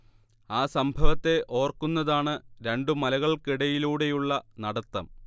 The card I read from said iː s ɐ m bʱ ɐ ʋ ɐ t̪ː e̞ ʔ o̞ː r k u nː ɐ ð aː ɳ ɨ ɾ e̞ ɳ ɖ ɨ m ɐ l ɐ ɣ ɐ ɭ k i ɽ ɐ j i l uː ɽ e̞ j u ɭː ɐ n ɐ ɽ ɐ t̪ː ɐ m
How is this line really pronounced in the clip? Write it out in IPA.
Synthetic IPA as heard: aː s ɐ m bʱ ɐ ʋ ɐ t̪ː e̞ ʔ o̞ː r k u nː ɐ ð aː ɳ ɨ ɾ e̞ ɳ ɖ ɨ m ɐ l ɐ ɣ ɐ ɭ k i ɽ ɐ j i l uː ɽ e̞ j u ɭː ɐ n ɐ ɽ ɐ t̪ː ɐ m